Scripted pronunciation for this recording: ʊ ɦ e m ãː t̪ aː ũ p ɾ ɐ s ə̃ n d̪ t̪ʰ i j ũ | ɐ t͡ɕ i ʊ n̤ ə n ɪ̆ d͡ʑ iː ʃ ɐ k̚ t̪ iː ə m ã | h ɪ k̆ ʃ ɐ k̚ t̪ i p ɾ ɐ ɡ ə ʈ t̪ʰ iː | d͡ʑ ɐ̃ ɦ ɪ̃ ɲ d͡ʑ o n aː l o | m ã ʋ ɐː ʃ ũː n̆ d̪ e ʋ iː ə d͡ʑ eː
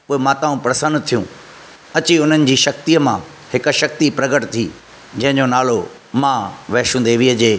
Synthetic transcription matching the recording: ʊ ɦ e m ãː t̪ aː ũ p ɾ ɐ s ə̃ n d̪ t̪ʰ i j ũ | ɐ t͡ɕ i ʊ n̤ ə n ɪ̆ d͡ʑ iː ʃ ɐ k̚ t̪ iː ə m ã | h ɪ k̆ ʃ ɐ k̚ t̪ i p ɾ ɐ ɡ ə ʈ t̪ʰ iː | d͡ʑ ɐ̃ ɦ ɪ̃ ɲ d͡ʑ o n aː l o | m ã ʋ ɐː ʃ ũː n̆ d̪ e ʋ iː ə d͡ʑ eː